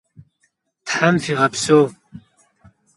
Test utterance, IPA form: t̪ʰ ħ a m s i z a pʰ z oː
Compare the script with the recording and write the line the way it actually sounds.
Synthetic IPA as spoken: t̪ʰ ħ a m f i ʁ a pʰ s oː